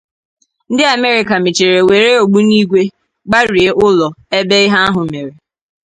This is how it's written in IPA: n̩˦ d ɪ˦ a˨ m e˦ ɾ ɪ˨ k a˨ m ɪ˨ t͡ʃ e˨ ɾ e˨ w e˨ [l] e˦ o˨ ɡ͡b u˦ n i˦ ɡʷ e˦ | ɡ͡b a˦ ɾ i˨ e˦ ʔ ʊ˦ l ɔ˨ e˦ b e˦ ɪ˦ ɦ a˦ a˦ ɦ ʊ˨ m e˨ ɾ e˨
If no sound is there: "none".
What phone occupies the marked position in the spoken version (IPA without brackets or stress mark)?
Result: ɾ